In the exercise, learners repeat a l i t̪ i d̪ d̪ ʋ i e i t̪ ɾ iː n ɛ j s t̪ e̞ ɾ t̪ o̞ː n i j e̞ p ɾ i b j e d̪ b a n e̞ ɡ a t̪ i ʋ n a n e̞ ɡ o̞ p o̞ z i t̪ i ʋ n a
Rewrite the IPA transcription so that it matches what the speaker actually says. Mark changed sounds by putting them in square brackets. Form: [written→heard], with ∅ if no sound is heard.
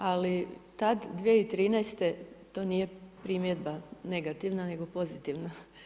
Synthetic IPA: a l i t̪ [i→a] d̪ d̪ ʋ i e i t̪ ɾ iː n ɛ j s t̪ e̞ [ɾ→∅] t̪ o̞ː n i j e̞ p ɾ i [b→m] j e d̪ b a n e̞ ɡ a t̪ i ʋ n a n e̞ ɡ o̞ p o̞ z i t̪ i ʋ n a